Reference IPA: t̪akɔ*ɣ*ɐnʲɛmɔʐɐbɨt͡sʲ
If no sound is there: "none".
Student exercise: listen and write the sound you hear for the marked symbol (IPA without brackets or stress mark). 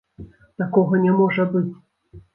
ɣ